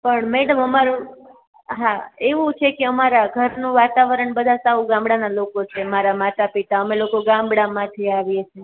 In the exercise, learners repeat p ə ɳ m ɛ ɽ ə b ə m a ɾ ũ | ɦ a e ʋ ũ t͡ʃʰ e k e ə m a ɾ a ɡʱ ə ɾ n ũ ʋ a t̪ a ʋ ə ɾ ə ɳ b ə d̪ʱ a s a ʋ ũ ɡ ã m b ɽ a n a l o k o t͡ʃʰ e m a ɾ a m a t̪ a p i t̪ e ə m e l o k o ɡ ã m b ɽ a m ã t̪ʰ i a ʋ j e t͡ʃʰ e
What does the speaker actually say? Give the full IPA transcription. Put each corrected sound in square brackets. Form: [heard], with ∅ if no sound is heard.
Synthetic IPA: p ə ɳ m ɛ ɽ ə [m] ə m a ɾ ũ | ɦ a e ʋ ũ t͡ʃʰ e k e ə m a ɾ a ɡʱ ə ɾ n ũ ʋ a t̪ a ʋ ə ɾ ə ɳ b ə d̪ʱ a s a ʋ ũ ɡ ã m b ɽ a n a l o k o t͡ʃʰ e m a ɾ a m a t̪ a p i t̪ [a] ə m e l o k o ɡ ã m b ɽ a m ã t̪ʰ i a ʋ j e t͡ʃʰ e

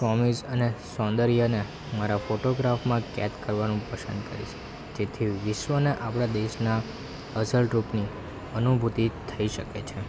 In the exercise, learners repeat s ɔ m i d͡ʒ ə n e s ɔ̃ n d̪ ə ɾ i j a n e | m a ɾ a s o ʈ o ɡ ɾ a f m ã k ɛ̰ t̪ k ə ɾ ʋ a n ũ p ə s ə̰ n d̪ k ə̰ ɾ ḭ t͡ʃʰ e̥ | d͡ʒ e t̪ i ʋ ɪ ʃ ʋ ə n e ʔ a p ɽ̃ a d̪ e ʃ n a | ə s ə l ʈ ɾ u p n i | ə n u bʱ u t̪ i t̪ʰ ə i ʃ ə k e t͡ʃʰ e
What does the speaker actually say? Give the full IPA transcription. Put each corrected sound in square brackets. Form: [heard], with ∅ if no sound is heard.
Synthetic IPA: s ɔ m i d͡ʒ ə n e s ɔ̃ n d̪ ə ɾ i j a n e | m a ɾ a [f] o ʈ o ɡ ɾ a f m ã k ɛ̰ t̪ k ə ɾ ʋ a n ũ p ə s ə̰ n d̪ k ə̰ ɾ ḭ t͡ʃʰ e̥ | d͡ʒ e [t̪ʰ] i ʋ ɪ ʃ ʋ ə n e ʔ a p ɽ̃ a d̪ e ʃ n a | ə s ə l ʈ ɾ u p n i | ə n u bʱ u t̪ i t̪ʰ ə i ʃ ə k e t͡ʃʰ e

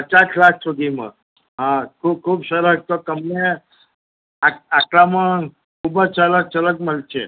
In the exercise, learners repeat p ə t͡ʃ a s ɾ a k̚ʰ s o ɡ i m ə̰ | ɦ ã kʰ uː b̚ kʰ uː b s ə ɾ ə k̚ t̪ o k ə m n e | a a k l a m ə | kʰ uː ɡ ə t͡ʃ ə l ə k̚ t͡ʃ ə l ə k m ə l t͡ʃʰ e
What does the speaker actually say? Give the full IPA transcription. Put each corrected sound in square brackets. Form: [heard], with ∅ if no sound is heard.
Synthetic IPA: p ə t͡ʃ a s [l] a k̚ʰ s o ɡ i m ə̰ | ɦ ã kʰ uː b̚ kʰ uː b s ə ɾ ə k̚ t̪ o k ə m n e | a a k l a m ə | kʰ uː [b] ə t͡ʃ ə l ə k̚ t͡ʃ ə l ə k m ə l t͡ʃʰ e

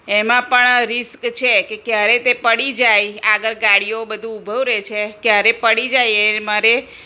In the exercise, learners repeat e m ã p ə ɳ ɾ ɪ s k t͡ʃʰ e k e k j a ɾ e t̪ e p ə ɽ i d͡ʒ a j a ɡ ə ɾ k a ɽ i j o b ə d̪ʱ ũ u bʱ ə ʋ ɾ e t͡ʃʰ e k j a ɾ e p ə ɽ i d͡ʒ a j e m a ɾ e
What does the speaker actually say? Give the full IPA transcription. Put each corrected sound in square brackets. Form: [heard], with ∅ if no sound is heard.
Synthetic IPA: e m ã p ə ɳ ɾ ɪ s k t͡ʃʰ e k e k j a ɾ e t̪ e p ə ɽ i d͡ʒ a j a ɡ ə ɾ [ɡ] a ɽ i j o b ə d̪ʱ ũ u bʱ ə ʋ ɾ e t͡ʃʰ e k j a ɾ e p ə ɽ i d͡ʒ a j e m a ɾ e

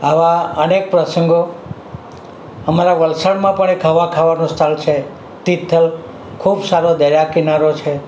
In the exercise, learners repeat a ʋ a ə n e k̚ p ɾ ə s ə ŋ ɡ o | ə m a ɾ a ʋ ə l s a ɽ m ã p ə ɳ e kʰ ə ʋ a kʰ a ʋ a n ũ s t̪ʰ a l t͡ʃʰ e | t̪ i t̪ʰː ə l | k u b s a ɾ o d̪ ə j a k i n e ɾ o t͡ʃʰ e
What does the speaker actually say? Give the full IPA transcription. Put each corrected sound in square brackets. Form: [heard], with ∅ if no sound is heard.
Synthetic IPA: a ʋ a ə n e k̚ p ɾ ə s ə ŋ ɡ o | ə m a ɾ a ʋ ə l s a ɽ m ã p ə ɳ e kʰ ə ʋ a kʰ a ʋ a n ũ s t̪ʰ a l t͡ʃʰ e | t̪ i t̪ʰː ə l | [kʰ] u b s a ɾ o d̪ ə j a k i n [a] ɾ o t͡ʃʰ e

